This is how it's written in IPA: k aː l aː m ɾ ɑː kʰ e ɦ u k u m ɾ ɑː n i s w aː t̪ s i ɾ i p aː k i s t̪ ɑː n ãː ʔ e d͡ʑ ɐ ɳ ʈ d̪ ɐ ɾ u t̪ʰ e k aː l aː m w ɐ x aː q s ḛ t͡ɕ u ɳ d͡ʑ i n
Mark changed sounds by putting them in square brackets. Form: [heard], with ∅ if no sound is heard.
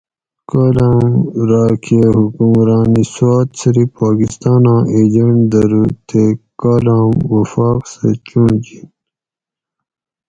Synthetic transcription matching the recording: k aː l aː m ɾ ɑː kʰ e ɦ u k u m ɾ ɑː n i s w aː t̪ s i ɾ i p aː k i s t̪ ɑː n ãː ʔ e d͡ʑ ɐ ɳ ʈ d̪ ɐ ɾ u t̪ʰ e k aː l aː m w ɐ [f] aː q s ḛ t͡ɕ u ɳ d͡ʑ i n